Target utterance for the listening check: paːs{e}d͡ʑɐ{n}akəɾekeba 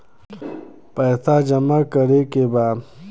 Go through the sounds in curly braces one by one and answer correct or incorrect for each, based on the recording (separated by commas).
incorrect, incorrect